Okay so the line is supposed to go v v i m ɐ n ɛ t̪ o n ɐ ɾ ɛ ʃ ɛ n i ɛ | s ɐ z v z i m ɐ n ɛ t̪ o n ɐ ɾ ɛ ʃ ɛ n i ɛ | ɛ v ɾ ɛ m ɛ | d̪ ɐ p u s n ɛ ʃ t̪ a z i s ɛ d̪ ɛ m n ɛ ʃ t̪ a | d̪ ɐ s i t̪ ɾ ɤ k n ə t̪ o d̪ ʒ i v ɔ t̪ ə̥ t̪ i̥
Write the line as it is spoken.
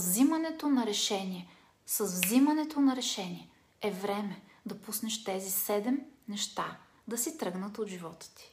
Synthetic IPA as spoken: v z i m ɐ n ɛ t̪ o n ɐ ɾ ɛ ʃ ɛ n i ɛ | s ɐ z v z i m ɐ n ɛ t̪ o n ɐ ɾ ɛ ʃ ɛ n i ɛ | ɛ v ɾ ɛ m ɛ | d̪ ɐ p u s n ɛ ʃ t̪ ɛ z i s ɛ d̪ ɛ m n ɛ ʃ t̪ a | d̪ ɐ s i t̪ ɾ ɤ ɡ n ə t̪ o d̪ ʒ i v ɔ t̪ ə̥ t̪ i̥